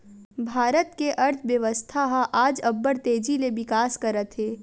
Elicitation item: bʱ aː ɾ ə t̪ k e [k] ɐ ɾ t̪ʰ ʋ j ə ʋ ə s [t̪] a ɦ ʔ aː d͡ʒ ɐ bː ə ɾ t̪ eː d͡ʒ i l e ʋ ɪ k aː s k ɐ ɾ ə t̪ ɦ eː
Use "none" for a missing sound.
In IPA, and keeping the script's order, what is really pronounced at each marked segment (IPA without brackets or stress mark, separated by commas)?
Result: ʔ, t̪ʰ